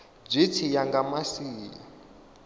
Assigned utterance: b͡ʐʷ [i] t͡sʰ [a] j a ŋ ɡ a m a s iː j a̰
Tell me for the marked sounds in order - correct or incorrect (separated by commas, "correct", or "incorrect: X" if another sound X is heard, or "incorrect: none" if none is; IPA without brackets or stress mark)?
correct, incorrect: i